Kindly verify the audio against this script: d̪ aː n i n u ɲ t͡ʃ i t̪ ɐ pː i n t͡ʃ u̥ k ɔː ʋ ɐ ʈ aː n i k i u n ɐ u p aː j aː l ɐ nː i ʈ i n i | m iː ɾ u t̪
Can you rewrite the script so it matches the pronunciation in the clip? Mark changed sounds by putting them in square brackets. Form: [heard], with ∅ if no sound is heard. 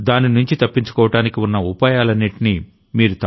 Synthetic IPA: d̪ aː n i n u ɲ t͡ʃ i t̪ ɐ pː i [ɲ] t͡ʃ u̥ k ɔː ʋ ɐ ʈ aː n i k i u [nː] ɐ u p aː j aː l ɐ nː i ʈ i n i | m iː ɾ u t̪